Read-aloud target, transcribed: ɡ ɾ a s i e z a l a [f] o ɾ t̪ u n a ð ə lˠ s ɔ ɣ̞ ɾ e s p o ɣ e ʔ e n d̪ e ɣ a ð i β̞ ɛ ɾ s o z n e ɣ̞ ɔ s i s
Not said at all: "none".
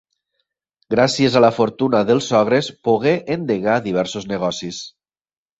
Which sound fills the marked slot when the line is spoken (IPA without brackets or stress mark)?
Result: f